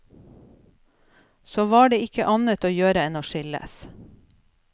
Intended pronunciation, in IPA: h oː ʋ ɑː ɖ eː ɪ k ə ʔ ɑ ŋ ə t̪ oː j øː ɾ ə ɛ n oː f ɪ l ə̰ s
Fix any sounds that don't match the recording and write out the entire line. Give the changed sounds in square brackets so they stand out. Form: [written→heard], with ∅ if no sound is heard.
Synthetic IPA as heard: [h→s] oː ʋ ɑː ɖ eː ɪ k ə ʔ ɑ [ŋ→n] ə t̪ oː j øː ɾ ə ɛ n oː [f→ʃ] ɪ l ə̰ s

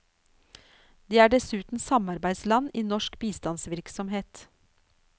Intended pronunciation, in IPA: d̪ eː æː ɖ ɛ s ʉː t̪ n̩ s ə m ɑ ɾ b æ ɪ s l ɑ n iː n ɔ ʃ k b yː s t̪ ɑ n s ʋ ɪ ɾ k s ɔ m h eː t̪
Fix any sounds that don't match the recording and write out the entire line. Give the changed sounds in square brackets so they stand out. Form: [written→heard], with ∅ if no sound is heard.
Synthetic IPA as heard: d̪ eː æː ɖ ɛ s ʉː t̪ n̩ s [ə→ɑ] m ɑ ɾ b æ ɪ s l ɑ n iː n ɔ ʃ k b [yː→iː] s t̪ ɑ n s ʋ ɪ ɾ k s ɔ m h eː t̪

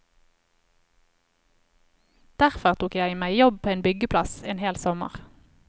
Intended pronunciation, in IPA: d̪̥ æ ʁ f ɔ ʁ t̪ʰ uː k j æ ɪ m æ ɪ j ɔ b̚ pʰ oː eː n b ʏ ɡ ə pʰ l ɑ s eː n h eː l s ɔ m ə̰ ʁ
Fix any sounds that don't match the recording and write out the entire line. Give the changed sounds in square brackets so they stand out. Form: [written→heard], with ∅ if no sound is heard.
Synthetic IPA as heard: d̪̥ æ ʁ f ɔ ʁ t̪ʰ uː k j æ ɪ m æ ɪ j ɔ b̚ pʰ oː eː n b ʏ ɡ ə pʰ l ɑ s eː n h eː l s ɔ m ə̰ ʁ

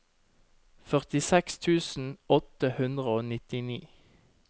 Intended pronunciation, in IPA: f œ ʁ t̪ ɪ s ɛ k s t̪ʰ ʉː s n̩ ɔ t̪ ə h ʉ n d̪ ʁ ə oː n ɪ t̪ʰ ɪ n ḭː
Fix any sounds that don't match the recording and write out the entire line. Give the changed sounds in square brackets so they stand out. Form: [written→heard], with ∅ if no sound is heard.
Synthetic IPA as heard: f œ ʁ t̪ ɪ s ɛ k s t̪ʰ ʉː s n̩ ɔ t̪ ə h ʉ n d̪ ʁ ə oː n ɪ [t̪ʰ→t̪] ɪ n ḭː

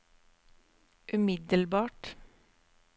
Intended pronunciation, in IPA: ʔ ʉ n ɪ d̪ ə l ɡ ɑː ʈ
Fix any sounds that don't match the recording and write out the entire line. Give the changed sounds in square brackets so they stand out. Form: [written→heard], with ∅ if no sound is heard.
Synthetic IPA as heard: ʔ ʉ [n→m] ɪ d̪ ə l [ɡ→b] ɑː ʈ

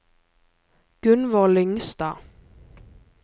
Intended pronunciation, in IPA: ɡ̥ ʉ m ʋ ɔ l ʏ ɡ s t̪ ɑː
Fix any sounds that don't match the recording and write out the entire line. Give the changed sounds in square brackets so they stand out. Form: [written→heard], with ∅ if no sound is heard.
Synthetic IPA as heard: ɡ̥ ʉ [m→n] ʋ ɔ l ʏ [ɡ→ŋ] s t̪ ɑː

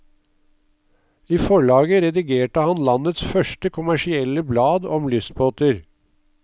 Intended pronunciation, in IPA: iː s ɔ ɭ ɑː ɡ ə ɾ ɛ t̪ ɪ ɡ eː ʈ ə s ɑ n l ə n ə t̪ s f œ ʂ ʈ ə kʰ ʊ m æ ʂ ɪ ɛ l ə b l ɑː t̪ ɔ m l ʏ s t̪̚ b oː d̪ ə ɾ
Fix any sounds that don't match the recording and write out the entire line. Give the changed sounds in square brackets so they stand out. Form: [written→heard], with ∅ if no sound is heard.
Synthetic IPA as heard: iː [s→f] ɔ ɭ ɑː ɡ ə ɾ ɛ [t̪→d̪] ɪ ɡ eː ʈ ə [s→h] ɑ n l [ə→ɑ] n ə t̪ s f œ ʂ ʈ ə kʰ ʊ m æ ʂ ɪ ɛ l ə b l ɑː [t̪→d̪] ɔ m l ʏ s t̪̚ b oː [d̪→t̪] ə ɾ

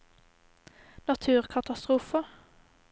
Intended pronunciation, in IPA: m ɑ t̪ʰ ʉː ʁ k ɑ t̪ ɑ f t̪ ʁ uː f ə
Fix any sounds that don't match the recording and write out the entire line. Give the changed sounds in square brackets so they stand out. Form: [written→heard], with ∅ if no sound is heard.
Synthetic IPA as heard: [m→n] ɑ t̪ʰ ʉː ʁ [k→kʰ] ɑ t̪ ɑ [f→s] t̪ ʁ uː f ə

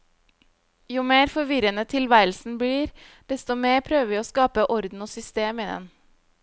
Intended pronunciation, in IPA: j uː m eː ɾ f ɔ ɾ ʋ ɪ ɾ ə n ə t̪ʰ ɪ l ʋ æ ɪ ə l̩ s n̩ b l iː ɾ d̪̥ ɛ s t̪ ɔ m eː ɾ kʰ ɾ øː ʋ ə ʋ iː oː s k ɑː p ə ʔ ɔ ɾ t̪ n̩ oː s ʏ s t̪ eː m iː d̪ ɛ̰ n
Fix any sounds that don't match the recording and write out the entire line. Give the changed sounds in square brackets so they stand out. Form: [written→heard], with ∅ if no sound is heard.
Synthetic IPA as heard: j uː m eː ɾ f ɔ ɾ ʋ ɪ ɾ ə n ə t̪ʰ ɪ l ʋ æ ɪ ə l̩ s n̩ b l iː ɾ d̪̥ ɛ s t̪ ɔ m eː ɾ [kʰ→pʰ] ɾ øː ʋ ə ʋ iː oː s k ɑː p ə ʔ ɔ ɾ [t̪→d̪] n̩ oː s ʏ s t̪ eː m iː d̪ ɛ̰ n

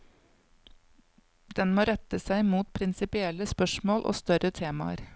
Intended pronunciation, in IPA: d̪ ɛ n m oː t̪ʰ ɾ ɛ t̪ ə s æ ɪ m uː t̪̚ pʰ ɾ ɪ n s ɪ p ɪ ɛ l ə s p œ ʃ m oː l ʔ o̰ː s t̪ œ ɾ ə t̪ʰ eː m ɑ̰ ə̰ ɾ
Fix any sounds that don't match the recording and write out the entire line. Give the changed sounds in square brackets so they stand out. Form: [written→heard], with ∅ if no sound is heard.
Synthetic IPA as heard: d̪ ɛ n m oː [t̪ʰ→∅] ɾ ɛ t̪ ə s æ ɪ m uː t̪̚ pʰ ɾ ɪ n s ɪ p ɪ ɛ l ə s p œ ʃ m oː l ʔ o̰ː s t̪ œ ɾ ə t̪ʰ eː m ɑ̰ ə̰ ɾ

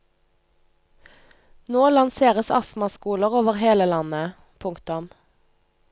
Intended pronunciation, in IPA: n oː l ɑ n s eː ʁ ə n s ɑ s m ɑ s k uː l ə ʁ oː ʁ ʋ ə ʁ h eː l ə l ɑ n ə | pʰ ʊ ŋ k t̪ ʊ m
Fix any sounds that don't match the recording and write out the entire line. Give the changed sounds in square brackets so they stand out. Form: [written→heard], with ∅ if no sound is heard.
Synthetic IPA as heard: n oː l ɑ n s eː ʁ ə [n→∅] s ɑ s m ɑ s k uː l ə ʁ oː [ʁ→∅] ʋ ə ʁ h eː l ə l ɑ n ə | pʰ ʊ ŋ k t̪ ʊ m

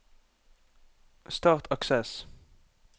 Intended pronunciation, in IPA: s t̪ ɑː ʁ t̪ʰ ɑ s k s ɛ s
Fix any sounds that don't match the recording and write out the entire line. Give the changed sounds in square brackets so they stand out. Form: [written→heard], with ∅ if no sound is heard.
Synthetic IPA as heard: s t̪ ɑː ʁ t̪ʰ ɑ [s→∅] k s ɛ s

